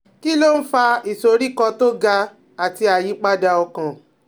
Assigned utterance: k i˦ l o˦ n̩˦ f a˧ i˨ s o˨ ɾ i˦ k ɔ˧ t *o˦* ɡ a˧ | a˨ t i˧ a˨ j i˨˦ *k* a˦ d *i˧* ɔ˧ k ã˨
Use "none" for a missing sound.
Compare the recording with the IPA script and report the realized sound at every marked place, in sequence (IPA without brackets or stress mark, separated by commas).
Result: o˦, k͡p, a˧